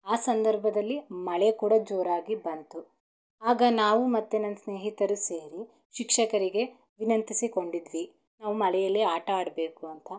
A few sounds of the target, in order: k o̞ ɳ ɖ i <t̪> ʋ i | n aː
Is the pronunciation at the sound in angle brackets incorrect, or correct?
incorrect